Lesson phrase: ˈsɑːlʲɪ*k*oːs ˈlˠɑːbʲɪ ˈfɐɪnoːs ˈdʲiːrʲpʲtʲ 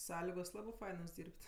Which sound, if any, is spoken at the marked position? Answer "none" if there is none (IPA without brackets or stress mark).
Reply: ɡ